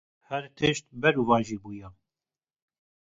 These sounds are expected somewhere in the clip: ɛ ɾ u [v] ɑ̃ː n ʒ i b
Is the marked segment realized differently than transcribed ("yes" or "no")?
no